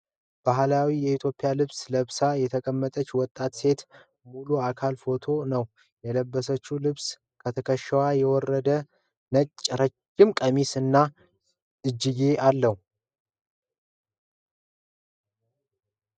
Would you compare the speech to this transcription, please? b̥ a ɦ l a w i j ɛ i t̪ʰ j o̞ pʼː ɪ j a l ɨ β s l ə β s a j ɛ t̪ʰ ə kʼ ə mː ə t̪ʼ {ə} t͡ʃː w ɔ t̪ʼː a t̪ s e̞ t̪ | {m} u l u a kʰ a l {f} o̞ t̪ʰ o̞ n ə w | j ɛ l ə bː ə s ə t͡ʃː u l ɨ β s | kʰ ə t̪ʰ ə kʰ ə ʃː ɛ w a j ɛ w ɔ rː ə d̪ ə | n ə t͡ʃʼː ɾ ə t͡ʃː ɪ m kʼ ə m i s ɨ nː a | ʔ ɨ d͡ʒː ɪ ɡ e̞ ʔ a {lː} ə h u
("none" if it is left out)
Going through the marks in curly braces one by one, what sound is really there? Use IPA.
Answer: ə, m, f, lː

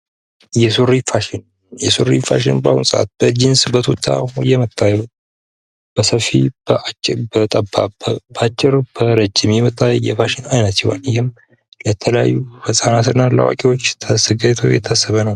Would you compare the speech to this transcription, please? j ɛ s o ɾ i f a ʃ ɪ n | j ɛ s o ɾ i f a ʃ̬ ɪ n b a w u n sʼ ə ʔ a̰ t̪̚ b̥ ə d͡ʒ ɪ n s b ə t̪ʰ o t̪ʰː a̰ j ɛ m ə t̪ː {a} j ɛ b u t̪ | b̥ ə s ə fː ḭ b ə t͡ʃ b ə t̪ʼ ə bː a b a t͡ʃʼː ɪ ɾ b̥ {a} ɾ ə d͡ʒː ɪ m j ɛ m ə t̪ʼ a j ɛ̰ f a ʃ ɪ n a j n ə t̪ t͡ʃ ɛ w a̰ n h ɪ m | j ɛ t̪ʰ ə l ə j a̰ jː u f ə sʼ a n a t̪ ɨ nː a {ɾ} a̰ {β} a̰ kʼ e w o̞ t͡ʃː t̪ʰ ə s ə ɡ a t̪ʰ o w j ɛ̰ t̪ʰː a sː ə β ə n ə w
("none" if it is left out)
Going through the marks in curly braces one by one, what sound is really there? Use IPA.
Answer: a, ə, l, w

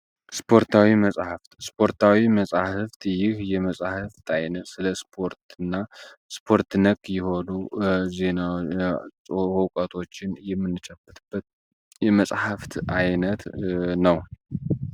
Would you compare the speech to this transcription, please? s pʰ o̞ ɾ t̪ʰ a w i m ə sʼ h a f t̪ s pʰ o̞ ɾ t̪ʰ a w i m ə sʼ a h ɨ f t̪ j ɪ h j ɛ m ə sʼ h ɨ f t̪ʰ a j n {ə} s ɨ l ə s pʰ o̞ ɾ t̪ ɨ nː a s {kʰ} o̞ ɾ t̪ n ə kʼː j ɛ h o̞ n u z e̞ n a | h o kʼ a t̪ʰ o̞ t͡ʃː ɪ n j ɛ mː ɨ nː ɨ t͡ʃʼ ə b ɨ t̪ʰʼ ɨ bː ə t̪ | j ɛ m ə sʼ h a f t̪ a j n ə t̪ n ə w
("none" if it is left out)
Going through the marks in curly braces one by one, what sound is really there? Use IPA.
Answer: ə, pʰ

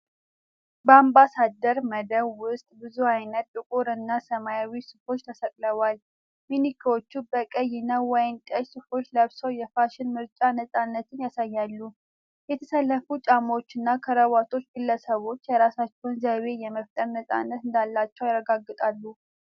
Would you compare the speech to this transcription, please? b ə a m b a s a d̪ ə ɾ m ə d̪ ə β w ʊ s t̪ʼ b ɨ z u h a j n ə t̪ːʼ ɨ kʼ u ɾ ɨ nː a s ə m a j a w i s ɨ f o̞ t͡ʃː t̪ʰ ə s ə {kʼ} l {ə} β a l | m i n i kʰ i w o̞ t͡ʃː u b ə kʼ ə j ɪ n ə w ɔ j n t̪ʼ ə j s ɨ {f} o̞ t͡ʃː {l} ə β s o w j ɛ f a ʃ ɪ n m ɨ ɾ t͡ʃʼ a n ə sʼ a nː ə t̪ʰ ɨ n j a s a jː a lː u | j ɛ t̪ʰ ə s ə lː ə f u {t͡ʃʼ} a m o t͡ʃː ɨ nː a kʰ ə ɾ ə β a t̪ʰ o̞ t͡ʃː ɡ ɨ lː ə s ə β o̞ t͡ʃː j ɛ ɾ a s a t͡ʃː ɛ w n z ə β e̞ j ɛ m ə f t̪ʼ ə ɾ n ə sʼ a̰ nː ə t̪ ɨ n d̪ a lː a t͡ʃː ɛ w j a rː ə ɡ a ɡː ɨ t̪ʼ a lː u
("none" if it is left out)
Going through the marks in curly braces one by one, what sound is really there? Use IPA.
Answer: kʼ, ə, f, l, t͡ʃʼ

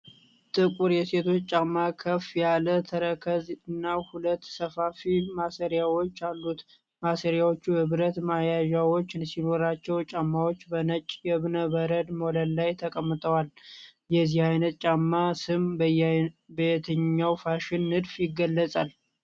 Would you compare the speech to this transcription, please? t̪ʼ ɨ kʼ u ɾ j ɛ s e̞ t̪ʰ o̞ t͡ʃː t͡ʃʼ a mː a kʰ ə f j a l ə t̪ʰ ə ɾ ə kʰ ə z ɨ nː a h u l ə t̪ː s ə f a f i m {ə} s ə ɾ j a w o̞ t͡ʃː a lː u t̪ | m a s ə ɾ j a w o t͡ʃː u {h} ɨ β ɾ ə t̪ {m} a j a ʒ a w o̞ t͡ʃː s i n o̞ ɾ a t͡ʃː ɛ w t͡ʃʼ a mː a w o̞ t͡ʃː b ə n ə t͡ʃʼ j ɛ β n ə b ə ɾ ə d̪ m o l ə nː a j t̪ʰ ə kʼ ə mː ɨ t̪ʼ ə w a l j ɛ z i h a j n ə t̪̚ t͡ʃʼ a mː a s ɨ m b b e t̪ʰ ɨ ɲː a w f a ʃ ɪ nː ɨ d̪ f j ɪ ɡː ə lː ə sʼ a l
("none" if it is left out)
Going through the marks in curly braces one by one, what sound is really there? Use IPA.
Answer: a, h, m

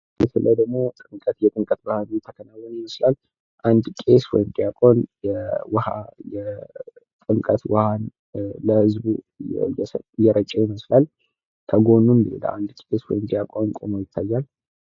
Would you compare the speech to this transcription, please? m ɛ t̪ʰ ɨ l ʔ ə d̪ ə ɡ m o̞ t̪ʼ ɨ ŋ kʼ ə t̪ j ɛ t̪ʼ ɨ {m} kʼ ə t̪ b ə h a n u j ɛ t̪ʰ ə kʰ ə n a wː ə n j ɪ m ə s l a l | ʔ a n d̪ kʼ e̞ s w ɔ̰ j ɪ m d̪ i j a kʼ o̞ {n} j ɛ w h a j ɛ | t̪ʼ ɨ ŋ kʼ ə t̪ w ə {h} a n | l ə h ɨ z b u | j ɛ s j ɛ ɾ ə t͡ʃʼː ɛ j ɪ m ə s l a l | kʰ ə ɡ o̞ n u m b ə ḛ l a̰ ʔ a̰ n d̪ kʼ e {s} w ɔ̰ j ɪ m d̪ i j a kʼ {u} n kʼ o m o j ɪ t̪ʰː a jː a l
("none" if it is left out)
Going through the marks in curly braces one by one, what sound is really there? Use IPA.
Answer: ŋ, n, h, s, o

